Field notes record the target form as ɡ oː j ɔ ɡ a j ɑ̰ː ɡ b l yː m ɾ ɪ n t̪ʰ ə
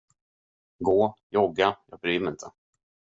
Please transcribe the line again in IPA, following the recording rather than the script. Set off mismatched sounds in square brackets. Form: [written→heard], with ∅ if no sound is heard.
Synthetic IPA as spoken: ɡ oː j ɔ ɡ a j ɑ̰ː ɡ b [l→ɾ] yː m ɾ ɪ n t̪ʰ ə